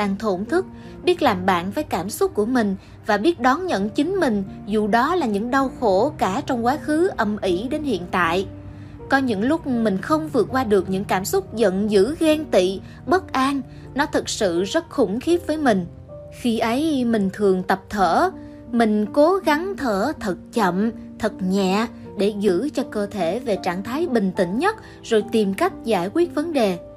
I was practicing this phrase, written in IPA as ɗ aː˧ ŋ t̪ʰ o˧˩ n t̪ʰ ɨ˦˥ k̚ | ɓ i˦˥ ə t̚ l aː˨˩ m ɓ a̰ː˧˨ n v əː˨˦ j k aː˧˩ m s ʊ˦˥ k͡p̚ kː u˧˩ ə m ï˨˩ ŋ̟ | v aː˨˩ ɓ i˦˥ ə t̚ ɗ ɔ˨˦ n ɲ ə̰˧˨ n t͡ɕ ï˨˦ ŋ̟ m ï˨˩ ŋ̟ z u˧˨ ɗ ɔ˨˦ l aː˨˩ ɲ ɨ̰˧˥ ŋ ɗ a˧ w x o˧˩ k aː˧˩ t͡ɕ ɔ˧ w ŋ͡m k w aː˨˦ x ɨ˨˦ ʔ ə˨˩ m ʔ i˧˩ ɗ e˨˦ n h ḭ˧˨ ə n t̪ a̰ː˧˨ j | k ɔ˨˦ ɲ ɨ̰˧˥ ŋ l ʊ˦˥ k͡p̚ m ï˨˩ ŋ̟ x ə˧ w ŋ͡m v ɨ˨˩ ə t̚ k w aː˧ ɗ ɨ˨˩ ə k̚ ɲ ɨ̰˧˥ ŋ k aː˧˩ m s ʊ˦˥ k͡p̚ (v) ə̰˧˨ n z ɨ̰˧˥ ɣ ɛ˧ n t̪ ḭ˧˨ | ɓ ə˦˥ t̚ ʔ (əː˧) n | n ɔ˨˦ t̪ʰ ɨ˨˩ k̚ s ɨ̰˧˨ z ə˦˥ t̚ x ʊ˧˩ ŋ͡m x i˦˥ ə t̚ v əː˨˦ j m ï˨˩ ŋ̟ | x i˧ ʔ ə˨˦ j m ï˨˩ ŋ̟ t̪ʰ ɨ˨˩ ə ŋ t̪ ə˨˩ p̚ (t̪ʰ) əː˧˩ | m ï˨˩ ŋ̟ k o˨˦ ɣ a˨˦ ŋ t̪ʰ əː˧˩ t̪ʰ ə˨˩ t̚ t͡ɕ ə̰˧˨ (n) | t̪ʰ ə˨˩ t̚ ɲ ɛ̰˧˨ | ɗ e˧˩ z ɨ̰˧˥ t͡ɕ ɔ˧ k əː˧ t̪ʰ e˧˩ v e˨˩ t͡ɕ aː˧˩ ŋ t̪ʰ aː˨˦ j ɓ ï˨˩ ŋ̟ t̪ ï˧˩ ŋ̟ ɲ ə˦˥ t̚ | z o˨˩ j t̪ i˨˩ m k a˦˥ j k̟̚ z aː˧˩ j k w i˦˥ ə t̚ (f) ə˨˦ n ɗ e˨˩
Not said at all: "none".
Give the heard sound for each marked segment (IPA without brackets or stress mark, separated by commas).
z, aː˧, t̪ʰ, m, v